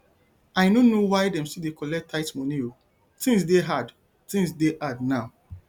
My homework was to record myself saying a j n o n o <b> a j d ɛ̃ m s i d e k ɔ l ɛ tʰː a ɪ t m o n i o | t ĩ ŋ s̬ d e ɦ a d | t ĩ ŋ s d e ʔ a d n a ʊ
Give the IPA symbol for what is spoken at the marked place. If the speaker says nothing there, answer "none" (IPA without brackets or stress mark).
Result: w